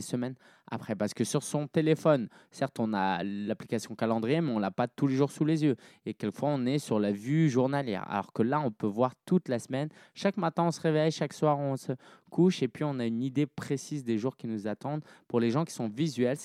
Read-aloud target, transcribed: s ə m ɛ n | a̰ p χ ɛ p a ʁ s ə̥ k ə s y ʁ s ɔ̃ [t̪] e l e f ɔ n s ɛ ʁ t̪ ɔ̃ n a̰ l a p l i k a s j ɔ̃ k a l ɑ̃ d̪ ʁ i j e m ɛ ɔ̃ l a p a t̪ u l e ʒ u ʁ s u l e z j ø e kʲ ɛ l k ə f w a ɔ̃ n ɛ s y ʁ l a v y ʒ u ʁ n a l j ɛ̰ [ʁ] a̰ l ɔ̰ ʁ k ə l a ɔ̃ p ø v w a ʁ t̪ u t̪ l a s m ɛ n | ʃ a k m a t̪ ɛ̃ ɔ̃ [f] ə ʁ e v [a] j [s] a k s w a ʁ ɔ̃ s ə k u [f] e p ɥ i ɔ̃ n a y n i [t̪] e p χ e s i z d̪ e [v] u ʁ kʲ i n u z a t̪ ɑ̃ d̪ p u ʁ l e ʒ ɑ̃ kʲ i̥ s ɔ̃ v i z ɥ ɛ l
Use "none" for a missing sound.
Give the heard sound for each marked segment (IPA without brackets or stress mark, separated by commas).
t̪, ʁ, s, ɛ, ʃ, ʃ, d̪, ʒ